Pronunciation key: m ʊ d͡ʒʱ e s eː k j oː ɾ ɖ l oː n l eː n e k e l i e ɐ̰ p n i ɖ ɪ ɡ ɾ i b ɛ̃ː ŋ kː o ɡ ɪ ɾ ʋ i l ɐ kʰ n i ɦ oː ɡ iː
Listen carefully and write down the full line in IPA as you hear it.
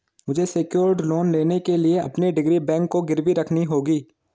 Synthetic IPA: m ʊ d͡ʒʱ e s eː k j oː ɾ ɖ l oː n l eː n e k e l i e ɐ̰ p n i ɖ ɪ ɡ ɾ i b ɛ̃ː ŋ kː o ɡ ɪ ɾ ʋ i ɾ ɐ kʰ n i ɦ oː ɡ iː